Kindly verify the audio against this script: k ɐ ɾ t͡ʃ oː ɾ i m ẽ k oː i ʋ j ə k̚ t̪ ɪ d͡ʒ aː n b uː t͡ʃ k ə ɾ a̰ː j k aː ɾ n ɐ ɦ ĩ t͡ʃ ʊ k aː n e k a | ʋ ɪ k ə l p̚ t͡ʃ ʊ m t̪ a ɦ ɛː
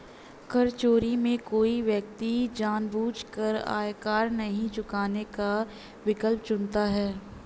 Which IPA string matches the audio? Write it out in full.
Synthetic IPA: k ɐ ɾ t͡ʃ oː ɾ i m ẽ k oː i ʋ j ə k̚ t̪ i d͡ʒ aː n b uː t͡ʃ k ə ɾ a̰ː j k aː ɾ n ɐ ɦ ĩ t͡ʃ ʊ k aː n e k a | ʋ ɪ k ə l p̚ t͡ʃ ʊ n t̪ a ɦ ɛː